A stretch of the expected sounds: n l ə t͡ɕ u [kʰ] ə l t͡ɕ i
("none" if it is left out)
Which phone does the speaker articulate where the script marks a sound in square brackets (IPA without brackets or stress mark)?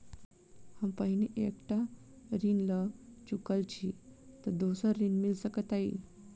k